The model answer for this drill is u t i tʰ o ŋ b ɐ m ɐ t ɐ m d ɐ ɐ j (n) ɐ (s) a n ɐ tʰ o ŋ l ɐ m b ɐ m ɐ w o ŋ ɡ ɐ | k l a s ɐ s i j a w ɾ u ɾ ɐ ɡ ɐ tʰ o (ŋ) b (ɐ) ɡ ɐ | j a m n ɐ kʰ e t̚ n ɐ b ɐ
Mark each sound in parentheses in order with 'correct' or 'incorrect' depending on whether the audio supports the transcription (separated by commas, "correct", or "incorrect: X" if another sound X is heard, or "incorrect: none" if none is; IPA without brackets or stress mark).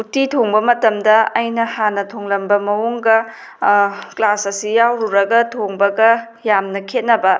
correct, incorrect: h, correct, correct